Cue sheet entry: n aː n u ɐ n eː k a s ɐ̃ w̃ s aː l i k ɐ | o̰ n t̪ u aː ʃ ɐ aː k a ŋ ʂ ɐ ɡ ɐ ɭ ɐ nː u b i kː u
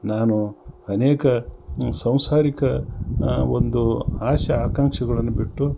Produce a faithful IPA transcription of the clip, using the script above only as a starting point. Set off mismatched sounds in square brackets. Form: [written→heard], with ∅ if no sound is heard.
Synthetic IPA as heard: n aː n u ɐ n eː k [a→ɐ] s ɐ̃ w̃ s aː [l→ɾ] i k ɐ | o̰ n [t̪→d̪] u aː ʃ ɐ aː k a ŋ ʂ ɐ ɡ ɐ ɭ ɐ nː u b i [kː→ʈː] u